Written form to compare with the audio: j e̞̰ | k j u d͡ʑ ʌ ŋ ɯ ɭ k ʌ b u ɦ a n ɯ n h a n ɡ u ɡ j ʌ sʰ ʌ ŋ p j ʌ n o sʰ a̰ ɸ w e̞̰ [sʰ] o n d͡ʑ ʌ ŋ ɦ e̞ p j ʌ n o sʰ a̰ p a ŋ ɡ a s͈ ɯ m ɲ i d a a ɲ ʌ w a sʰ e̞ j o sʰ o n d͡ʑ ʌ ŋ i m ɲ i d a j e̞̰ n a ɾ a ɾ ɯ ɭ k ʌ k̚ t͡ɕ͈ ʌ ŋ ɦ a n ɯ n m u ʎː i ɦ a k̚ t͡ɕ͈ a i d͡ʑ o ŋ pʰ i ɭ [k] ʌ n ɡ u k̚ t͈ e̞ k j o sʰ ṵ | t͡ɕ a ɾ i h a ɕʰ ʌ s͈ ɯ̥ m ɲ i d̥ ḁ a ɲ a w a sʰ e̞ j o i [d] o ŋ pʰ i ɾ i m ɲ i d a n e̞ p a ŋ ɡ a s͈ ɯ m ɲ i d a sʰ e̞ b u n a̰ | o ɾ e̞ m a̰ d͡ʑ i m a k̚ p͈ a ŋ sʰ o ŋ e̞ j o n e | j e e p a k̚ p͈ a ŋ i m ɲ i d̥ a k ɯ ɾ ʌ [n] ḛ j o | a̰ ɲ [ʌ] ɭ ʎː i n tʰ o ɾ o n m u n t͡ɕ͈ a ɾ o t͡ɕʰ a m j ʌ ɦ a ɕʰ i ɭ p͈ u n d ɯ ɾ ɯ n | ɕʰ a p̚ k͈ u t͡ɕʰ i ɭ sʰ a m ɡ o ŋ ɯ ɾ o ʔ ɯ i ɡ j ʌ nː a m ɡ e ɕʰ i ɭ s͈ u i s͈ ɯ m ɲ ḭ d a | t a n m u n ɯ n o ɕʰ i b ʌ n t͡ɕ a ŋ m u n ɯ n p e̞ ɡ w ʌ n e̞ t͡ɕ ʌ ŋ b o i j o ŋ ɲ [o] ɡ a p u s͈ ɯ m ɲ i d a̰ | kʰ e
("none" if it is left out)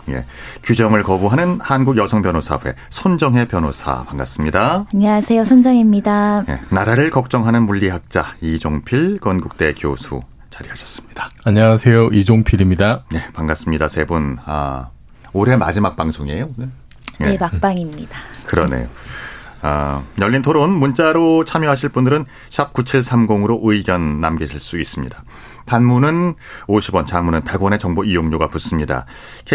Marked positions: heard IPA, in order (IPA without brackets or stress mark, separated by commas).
sʰ, k, d͡ʑ, n, ʌ, o